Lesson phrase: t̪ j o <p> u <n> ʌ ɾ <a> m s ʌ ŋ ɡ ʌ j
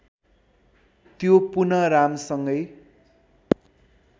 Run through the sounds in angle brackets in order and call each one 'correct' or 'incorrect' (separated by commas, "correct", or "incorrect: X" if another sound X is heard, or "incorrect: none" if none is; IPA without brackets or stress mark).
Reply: correct, correct, correct